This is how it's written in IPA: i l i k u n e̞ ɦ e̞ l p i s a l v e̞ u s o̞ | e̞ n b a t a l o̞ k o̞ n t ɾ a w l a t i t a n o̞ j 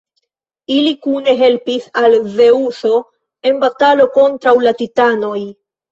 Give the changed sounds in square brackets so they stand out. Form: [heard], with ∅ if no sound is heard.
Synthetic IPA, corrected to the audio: i l i k u n e̞ ɦ e̞ l p i s a l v e̞ u s o̞ | e̞ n b a t a l o̞ k o̞ n t ɾ a w l a t i t a n o̞ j